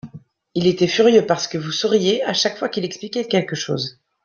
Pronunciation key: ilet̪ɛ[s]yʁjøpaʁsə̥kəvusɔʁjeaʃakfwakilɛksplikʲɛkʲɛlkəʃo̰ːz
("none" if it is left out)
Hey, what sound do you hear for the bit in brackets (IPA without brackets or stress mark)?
f